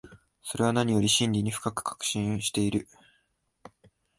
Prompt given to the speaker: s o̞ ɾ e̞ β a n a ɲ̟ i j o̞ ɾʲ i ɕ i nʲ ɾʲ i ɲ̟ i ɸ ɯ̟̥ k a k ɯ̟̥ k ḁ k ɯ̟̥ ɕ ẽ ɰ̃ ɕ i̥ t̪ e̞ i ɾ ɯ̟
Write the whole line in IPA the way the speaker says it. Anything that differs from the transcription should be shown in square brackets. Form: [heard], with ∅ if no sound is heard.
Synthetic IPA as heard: s o̞ ɾ e̞ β a n a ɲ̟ i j o̞ ɾʲ i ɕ [ĩ] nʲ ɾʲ i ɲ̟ i ɸ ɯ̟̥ k a k ɯ̟̥ k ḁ k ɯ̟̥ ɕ [ĩ] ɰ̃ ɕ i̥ t̪ e̞ i ɾ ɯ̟